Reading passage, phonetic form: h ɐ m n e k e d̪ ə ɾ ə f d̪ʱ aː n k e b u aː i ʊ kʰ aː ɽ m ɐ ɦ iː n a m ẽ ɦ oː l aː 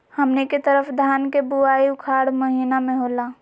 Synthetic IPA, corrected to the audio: h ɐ m n e k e t̪ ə ɾ ə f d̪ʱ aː n k e b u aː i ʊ kʰ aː ɽ m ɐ ɦ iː n a m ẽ ɦ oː l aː